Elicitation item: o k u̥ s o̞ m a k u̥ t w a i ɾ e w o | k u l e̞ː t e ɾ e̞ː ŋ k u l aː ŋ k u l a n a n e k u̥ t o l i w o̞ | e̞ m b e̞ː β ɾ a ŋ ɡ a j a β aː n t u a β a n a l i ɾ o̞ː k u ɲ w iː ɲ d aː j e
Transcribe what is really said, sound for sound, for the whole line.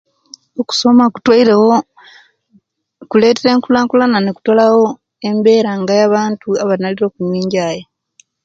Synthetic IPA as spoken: o k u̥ s o̞ m a k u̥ t w a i ɾ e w o | k u l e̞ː t e ɾ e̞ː ŋ k u l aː ŋ k u l a n a n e k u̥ t o l a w o̞ | e̞ m b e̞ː ɾ a ŋ ɡ a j a β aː n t u a β a n a l i ɾ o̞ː k u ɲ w iː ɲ ɟ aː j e

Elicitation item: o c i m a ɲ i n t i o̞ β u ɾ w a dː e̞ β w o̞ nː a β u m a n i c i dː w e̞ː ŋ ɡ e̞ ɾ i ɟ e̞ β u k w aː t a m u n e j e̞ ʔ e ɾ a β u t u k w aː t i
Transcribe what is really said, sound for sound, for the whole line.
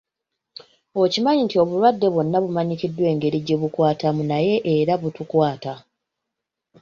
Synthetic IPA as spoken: o c i m a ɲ i n t i o̞ β u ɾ w a dː e̞ β w o̞ nː a β u m a ɲ i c i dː w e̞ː ŋ ɡ e̞ ɾ i ɟ e̞ β u k w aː t a m u n a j e̞ ʔ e ɾ a β u t u k w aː t a

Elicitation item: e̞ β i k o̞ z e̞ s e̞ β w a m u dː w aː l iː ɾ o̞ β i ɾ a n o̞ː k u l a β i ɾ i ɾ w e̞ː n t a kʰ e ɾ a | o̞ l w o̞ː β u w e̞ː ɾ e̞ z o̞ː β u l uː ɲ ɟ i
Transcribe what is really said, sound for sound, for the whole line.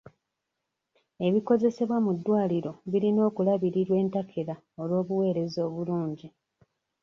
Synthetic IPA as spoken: e̞ β i k o̞ z e̞ s e̞ β w a m u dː w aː l i ɾ o̞ β i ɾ i n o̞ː k u l a β i ɾ i ɾ w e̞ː n t a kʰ e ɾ a | o̞ l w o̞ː β u w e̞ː ɾ e̞ z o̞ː β u l uː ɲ ɟ i

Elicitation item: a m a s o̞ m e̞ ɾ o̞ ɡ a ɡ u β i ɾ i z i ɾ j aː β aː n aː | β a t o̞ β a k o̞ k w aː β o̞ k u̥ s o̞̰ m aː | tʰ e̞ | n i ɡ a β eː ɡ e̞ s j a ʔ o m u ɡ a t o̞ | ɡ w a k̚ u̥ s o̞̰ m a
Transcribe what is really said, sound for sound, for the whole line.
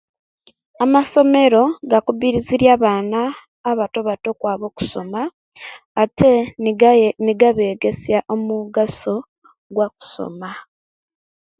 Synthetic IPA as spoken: a m a s o̞ m e̞ ɾ o̞ ɡ a k u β i ɾ i z i ɾ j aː β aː n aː | β a t o̞ β a t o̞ k w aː β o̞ k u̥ s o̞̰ m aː | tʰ e̞ | n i ɡ a β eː ɡ e̞ s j a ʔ o m u ɡ a s o̞ | ɡ w a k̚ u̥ s o̞̰ m a

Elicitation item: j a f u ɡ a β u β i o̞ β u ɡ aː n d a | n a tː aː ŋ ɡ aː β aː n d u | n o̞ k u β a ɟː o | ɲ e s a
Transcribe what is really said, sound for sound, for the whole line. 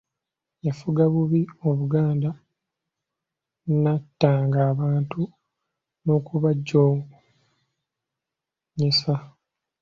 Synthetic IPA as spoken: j a f u ɡ a β u β i o̞ β u ɡ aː n d a | n a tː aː ŋ ɡ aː β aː n t u | n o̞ k u β a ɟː o | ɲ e s a

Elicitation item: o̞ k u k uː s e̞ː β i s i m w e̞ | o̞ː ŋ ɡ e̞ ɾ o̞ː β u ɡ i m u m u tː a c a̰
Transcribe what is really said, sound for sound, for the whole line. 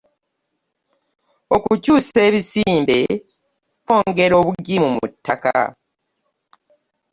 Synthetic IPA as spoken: o̞ k u c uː s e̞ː β i s iː m b e̞ | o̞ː ŋ ɡ e̞ ɾ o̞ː β u ɡ i m u m u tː a k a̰

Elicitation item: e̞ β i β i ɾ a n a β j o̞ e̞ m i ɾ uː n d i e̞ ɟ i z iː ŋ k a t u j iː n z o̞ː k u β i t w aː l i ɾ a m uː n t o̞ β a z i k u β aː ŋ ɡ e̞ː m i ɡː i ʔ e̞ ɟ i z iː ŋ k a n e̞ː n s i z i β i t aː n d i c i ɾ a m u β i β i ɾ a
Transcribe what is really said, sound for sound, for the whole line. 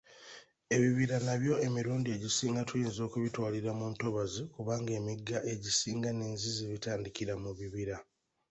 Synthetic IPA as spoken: e̞ β i β i ɾ a n a β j o̞ e̞ m i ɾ uː n d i e̞ ɟ i s iː ŋ ɡ a t u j iː n z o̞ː k u β i t w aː l i ɾ a m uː n t o̞ β a z i k u β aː ŋ ɡ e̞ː m i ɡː a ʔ e̞ ɟ i s iː ŋ ɡ a n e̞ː n z i z i β i t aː n d i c i ɾ a m u β i β i ɾ a

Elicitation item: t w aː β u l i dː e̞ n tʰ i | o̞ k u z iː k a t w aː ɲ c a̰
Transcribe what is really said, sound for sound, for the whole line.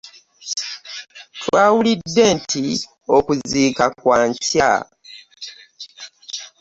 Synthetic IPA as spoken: t w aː w u l i dː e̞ n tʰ i | o̞ k u z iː k a k w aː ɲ c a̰

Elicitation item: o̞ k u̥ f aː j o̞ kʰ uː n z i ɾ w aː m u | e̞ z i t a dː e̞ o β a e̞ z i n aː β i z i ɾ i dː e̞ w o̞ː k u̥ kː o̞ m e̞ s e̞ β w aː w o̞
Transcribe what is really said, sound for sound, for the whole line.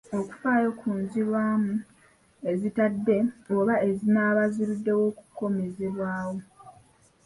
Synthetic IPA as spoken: o̞ k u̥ f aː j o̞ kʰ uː n z i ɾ w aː m u | e̞ z i t a dː e̞ o β a e̞ z i n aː β a z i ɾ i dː e̞ w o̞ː k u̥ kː o̞ m e̞ z e̞ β w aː w o̞

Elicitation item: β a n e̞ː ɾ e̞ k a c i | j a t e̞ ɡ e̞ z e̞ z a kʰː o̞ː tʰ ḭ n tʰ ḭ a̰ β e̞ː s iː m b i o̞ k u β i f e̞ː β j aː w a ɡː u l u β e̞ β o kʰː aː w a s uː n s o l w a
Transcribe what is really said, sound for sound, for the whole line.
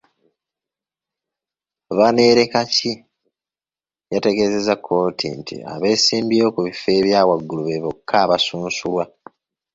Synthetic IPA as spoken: β a n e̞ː ɾ e̞ k a c i | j a t e̞ ɡ e̞ z e̞ z a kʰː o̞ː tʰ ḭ n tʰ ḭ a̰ β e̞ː s iː m b i o̞ k u β i f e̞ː β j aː w a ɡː u l u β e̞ β o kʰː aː β a s uː n s u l w a

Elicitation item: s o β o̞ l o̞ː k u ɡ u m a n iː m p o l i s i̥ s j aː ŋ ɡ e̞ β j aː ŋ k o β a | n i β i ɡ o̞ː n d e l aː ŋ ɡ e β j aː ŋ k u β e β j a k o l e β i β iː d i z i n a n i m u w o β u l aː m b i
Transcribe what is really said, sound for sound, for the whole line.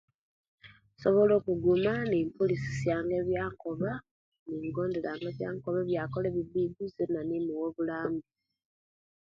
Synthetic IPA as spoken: s o β o̞ l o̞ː k u ɡ u m a n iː m p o l i s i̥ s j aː ŋ ɡ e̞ β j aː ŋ k o β a | n i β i ɡ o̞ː n d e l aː ŋ ɡ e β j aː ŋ k o β e β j a k o l e β i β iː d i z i n a n i m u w o β u l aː m b i

